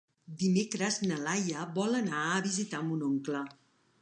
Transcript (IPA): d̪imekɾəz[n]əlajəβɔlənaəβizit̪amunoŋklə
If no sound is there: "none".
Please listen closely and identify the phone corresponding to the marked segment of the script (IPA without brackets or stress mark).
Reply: n